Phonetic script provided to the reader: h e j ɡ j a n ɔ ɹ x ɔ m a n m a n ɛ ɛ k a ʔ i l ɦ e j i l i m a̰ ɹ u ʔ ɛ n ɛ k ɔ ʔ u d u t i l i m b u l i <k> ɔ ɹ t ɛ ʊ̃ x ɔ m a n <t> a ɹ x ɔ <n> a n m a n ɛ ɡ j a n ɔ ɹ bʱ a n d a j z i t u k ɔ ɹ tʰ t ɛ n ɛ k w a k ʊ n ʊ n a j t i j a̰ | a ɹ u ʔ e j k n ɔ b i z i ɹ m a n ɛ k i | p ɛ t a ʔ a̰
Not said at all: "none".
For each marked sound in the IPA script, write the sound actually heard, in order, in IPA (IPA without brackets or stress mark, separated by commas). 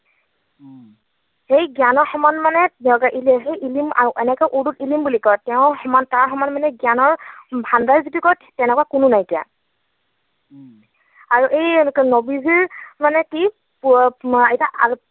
k, t, m